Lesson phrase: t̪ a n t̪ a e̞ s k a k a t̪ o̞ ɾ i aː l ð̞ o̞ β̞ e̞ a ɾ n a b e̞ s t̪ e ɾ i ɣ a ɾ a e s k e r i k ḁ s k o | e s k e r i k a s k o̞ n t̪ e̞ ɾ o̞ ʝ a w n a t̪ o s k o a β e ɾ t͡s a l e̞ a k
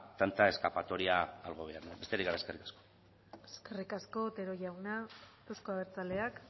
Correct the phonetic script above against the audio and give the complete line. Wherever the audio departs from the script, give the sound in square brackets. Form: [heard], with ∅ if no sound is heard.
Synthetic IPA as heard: t̪ a n t̪ a e̞ s k a [p] a t̪ o̞ ɾ i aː l [ɣ̞] o̞ β̞ e̞ a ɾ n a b e̞ s t̪ e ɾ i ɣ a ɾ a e s k e r i k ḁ s k o | e s k e r i k a s k o̞ [∅] t̪ e̞ ɾ o̞ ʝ a w n a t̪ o s k o a β e ɾ t͡s a l e̞ a k